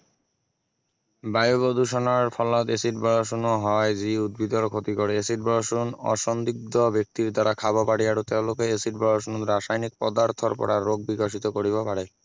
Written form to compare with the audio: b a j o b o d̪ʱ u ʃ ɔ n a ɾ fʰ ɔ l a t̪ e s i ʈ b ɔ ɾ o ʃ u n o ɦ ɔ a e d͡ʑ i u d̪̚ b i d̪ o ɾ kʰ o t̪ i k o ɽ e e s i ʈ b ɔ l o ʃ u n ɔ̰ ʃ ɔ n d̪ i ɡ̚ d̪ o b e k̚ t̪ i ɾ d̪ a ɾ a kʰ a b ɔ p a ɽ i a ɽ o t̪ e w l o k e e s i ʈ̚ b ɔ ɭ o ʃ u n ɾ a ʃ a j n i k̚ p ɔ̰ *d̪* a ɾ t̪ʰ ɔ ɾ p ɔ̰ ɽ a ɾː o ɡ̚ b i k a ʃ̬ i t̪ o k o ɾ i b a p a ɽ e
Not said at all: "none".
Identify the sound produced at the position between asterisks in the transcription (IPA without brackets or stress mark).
d̪